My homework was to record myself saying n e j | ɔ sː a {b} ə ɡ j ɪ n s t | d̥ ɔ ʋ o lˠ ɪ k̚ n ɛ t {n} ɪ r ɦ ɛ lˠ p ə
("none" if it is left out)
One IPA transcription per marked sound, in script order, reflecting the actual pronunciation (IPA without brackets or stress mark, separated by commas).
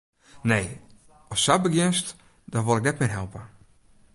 b, m